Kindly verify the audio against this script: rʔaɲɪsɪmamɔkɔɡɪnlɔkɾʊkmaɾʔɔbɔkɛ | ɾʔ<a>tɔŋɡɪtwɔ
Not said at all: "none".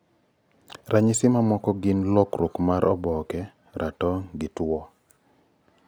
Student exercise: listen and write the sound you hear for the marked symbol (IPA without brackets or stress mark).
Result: a